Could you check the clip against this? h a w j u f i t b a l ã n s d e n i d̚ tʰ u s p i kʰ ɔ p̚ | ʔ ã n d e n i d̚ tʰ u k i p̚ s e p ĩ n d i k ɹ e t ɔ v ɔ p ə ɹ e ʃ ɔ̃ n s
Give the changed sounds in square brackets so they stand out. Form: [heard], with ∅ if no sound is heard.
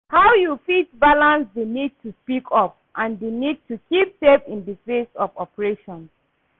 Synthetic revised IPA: h a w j u f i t b a l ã n s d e n i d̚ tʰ u s p i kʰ ɔ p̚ | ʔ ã n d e n i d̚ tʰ u k i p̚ s e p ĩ n d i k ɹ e [s] ɔ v ɔ p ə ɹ e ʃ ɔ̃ n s